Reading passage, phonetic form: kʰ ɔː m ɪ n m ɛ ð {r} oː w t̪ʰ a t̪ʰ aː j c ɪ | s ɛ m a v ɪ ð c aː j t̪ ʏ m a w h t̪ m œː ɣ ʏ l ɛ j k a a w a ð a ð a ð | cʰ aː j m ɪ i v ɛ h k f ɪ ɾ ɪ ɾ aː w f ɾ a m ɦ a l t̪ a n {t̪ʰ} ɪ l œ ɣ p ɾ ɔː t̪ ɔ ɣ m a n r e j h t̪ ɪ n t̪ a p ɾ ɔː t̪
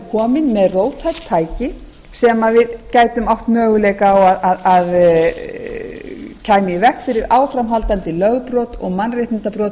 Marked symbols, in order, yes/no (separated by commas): yes, no